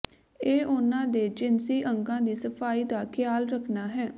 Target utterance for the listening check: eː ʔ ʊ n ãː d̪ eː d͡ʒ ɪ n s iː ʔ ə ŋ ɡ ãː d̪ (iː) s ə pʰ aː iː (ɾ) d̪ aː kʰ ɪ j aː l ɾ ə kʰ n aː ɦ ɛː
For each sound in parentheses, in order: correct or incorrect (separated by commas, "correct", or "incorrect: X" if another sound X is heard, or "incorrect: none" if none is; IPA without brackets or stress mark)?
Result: correct, incorrect: none